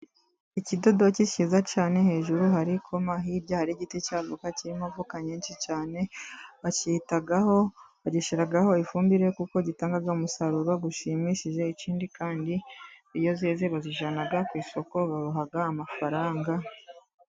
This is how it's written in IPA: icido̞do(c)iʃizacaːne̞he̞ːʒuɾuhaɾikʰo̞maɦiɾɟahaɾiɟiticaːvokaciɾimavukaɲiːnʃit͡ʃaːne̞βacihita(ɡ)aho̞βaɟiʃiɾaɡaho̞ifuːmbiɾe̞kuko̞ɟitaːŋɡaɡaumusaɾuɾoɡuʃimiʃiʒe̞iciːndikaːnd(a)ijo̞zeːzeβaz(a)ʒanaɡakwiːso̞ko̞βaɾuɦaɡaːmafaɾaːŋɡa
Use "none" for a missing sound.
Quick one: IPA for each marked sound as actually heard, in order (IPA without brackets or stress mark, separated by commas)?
c, ɡ, i, i